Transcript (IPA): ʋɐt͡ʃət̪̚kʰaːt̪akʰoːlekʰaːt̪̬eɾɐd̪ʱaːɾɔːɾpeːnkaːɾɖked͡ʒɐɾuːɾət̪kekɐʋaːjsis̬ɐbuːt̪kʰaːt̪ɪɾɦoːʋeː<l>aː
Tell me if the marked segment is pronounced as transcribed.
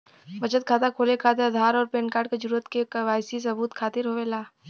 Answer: yes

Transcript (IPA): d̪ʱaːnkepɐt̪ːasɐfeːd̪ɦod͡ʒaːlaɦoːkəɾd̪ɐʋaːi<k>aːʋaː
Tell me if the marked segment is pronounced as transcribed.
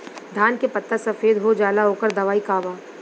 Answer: yes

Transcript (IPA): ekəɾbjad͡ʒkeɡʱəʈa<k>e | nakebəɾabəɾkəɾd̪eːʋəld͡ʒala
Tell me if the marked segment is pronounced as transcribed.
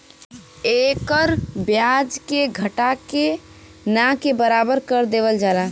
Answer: yes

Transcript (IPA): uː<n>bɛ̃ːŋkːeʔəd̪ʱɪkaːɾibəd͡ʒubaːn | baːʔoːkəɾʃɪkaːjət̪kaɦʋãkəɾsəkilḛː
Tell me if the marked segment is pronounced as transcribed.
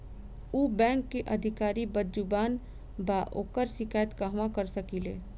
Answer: no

